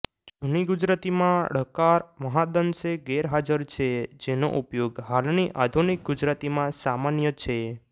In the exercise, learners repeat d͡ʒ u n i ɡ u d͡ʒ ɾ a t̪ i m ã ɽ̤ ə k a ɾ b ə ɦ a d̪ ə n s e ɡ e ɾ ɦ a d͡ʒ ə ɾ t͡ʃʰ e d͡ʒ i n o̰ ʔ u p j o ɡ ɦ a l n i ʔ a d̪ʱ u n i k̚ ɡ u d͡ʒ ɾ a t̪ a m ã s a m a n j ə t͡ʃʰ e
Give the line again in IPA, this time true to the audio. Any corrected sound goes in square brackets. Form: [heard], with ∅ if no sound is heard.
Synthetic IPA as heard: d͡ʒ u n i ɡ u d͡ʒ ɾ a t̪ i m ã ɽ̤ ə k a ɾ [m] ə ɦ a d̪ ə n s e ɡ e ɾ ɦ a d͡ʒ ə ɾ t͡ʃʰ e d͡ʒ [e] n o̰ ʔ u p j o ɡ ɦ a l n i ʔ a d̪ʱ u n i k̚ ɡ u d͡ʒ ɾ a t̪ [i] m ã s a m a n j ə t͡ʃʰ e

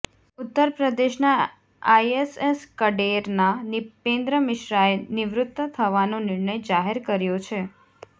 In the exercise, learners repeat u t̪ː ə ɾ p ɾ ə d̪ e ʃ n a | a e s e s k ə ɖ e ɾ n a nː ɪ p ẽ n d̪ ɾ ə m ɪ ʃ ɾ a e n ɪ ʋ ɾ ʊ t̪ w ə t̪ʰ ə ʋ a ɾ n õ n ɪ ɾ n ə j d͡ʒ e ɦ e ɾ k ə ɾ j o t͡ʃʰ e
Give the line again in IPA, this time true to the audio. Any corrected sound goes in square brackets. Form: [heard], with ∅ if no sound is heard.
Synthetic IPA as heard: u t̪ː ə ɾ p ɾ ə d̪ e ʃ n a | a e s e s k ə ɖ e ɾ n a [n] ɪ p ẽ n d̪ ɾ ə m ɪ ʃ ɾ a e n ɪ ʋ ɾ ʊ t̪ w ə t̪ʰ ə ʋ a [∅] n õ n ɪ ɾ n ə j d͡ʒ [a] ɦ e ɾ k ə ɾ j o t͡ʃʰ e

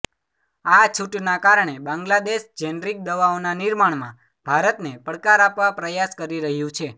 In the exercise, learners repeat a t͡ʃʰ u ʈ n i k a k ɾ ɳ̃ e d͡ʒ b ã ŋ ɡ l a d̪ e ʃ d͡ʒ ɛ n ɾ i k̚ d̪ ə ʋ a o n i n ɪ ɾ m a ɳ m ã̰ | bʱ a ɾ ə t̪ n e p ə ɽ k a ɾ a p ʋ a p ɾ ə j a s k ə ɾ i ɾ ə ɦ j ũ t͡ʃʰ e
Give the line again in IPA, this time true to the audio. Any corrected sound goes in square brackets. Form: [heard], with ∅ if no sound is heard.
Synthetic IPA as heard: a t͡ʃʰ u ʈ n [a] k a [∅] ɾ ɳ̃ e [∅] b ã ŋ ɡ l a d̪ e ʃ d͡ʒ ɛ n ɾ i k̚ d̪ ə ʋ a o n [a] n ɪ ɾ m a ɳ m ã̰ | bʱ a ɾ ə t̪ n e p ə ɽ k a ɾ a p ʋ a p ɾ ə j a s k ə ɾ i ɾ ə ɦ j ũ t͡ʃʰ e

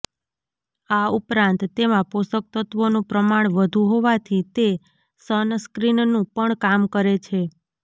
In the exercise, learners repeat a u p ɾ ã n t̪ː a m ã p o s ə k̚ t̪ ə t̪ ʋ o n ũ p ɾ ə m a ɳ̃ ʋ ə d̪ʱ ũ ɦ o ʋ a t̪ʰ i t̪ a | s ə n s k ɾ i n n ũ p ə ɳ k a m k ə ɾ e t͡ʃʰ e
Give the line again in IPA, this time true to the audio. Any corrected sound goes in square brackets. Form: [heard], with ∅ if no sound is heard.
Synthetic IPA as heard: a u p ɾ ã n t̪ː [e] m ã p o s ə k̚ t̪ ə t̪ ʋ o n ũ p ɾ ə m a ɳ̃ ʋ ə d̪ʱ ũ ɦ o ʋ a t̪ʰ i t̪ [e] | s ə n s k ɾ i n n ũ p ə ɳ k a m k ə ɾ e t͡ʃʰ e

